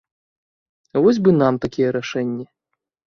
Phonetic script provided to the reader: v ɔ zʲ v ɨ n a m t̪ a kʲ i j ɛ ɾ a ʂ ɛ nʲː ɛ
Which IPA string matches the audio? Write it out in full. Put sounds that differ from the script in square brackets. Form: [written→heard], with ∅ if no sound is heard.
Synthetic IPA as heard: v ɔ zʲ [v→b] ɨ n a m t̪ a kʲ i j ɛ ɾ a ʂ ɛ nʲː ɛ